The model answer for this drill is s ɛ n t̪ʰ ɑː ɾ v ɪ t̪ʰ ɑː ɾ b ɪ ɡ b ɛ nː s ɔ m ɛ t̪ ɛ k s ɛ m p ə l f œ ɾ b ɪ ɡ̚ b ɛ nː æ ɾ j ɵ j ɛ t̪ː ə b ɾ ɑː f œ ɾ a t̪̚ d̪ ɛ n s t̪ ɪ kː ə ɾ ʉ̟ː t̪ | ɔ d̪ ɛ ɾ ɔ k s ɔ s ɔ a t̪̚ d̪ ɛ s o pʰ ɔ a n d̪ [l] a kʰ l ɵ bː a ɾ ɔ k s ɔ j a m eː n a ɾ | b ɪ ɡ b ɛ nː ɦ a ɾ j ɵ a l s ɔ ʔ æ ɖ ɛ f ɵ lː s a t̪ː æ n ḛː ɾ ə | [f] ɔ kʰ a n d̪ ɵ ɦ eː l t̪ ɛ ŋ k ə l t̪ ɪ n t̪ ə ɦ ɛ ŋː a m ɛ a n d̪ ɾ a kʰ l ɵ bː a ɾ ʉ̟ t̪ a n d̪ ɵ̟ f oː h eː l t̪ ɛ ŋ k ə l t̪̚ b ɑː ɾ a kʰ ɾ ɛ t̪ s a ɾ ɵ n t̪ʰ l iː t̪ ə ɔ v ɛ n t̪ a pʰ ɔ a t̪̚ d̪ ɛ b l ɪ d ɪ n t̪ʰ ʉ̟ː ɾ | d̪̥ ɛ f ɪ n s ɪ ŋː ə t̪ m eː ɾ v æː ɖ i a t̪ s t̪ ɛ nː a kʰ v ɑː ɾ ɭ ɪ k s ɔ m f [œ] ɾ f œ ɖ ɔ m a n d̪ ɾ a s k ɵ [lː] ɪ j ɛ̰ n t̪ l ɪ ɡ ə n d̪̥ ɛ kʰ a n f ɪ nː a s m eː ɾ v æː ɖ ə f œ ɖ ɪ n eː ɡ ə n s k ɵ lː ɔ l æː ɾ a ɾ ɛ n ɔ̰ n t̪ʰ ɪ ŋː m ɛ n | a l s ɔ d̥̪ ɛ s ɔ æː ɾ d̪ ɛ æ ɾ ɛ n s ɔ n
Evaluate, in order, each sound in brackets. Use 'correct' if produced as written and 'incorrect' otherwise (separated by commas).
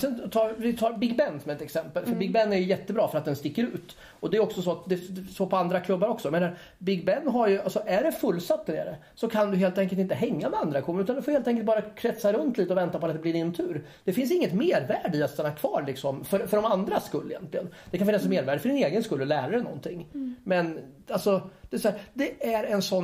incorrect, incorrect, correct, correct